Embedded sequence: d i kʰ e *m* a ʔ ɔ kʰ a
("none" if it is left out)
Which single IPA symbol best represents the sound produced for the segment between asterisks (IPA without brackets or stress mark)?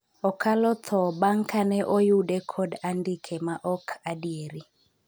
m